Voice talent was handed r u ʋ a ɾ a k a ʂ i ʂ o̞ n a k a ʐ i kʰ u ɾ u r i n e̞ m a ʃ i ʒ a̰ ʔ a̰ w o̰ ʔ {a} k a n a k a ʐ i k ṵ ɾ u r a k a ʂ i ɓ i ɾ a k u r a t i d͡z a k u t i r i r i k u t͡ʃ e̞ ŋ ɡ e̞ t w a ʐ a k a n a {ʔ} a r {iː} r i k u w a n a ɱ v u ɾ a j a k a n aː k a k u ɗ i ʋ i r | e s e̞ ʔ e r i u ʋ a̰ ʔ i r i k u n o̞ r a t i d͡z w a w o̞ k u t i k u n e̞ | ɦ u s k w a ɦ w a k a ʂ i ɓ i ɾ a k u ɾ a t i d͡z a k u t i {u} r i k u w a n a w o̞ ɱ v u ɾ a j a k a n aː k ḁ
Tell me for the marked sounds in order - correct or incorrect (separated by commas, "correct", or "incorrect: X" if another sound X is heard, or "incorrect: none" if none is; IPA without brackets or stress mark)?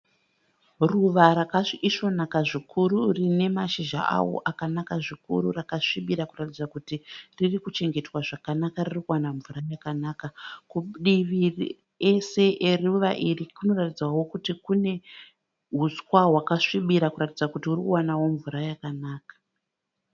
correct, incorrect: k, incorrect: i, correct